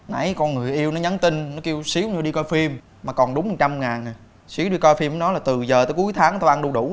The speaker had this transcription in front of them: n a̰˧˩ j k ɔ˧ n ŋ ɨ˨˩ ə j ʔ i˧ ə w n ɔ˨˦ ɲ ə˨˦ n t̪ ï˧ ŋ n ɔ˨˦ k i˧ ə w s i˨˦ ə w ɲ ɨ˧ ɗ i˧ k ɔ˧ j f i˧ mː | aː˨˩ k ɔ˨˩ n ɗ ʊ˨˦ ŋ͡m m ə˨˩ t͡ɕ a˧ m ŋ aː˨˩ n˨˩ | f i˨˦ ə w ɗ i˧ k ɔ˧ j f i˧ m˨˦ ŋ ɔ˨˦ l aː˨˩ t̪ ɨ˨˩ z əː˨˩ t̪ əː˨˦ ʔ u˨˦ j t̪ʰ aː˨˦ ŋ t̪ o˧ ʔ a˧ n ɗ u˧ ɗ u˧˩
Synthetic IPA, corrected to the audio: n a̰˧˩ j k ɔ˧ n ŋ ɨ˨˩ ə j ʔ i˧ ə w n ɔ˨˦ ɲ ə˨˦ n t̪ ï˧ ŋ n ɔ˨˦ k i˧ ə w s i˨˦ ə w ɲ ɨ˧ ɗ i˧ k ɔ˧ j f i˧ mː | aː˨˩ k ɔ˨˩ n ɗ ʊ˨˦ ŋ͡m m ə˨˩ t͡ɕ a˧ m ŋ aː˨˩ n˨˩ | s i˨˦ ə w ɗ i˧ k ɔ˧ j f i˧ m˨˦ n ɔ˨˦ l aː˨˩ t̪ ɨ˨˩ z əː˨˩ t̪ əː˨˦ k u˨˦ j t̪ʰ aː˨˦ ŋ t̪ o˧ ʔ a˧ n ɗ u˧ ɗ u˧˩